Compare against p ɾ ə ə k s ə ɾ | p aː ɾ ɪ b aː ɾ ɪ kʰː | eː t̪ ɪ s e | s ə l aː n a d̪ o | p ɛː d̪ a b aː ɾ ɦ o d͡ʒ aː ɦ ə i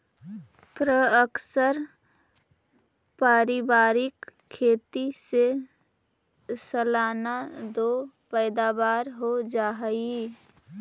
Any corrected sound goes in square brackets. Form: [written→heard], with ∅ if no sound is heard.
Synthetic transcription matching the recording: p ɾ ə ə k s ə ɾ | p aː ɾ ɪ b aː ɾ ɪ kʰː | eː t̪ [ɪ→i] s e | s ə l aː n a d̪ o | p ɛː d̪ a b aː ɾ ɦ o d͡ʒ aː ɦ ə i